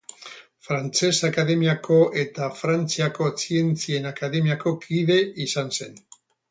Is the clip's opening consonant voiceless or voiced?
voiceless